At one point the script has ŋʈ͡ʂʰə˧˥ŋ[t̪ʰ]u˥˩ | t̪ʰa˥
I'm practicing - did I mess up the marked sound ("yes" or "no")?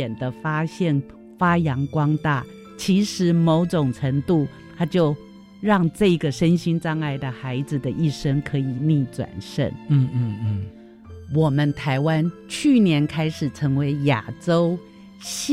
yes